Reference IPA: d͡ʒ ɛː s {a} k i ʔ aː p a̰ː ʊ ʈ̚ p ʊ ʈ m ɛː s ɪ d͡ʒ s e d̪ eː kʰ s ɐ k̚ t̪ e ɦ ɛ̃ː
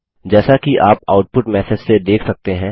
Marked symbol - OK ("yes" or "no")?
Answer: yes